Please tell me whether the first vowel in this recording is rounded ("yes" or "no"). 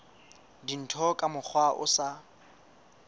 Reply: no